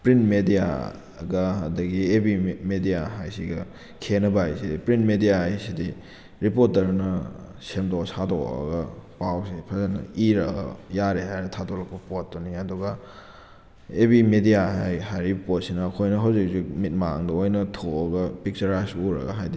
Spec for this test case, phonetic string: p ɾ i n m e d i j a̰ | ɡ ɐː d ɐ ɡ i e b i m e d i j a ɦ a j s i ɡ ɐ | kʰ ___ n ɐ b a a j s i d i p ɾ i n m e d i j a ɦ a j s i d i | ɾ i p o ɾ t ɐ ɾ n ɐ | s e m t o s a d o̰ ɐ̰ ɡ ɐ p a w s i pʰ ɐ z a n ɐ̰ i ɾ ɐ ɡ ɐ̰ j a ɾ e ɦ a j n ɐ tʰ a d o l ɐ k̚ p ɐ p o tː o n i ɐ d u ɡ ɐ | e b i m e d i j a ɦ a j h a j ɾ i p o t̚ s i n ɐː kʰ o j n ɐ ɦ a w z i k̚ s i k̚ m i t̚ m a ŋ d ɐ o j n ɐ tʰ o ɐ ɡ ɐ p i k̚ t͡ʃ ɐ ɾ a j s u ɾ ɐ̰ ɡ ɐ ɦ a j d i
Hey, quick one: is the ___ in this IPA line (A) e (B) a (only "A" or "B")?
A